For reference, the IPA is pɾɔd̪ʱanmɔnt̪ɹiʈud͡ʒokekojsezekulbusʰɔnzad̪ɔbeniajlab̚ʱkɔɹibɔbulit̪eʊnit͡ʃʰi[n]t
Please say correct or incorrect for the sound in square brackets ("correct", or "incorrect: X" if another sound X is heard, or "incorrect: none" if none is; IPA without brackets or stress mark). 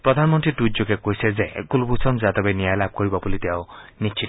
incorrect: none